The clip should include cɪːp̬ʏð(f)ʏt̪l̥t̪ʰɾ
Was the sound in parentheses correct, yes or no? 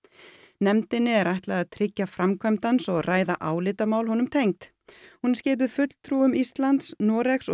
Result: yes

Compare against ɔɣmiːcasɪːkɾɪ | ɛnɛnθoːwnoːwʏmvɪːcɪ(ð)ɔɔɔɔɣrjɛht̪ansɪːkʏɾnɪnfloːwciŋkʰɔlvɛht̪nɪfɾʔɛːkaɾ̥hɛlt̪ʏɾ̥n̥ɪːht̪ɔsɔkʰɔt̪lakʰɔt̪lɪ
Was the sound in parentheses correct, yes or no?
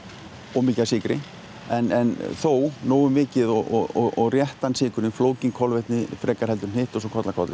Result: yes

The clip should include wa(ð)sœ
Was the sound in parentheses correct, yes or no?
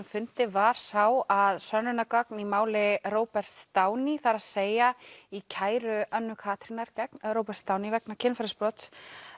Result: yes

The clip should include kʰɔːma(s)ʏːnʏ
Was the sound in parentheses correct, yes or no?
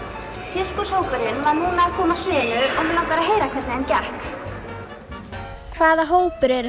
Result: yes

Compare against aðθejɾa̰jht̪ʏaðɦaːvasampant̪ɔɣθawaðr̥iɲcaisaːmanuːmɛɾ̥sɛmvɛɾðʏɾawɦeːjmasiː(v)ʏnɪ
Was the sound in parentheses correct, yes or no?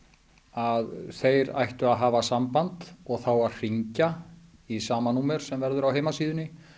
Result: no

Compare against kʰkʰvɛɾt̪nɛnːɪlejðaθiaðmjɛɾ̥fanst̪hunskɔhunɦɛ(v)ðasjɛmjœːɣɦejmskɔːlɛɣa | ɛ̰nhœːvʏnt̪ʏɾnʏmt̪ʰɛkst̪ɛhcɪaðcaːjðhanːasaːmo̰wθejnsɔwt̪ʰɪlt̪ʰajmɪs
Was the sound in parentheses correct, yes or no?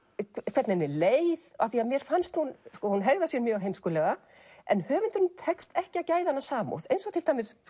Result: no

